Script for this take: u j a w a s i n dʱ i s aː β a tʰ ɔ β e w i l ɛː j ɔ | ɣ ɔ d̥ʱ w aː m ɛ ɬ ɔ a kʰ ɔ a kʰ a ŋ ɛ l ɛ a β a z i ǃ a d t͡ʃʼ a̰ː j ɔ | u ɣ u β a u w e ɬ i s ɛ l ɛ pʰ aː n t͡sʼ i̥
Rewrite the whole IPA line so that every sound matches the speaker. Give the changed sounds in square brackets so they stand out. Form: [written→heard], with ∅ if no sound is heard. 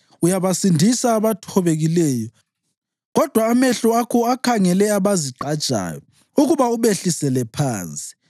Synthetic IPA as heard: u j a [w→β] a s i n dʱ i s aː β a tʰ ɔ β e [w→ɣ] i l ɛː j ɔ | ɣ ɔ d̥ʱ w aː m ɛ ɬ ɔ a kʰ ɔ a kʰ a ŋ ɛ l ɛ a β a z i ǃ a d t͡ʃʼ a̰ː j ɔ | u ɣ u β a u [w→β] e ɬ i s ɛ l ɛ pʰ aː n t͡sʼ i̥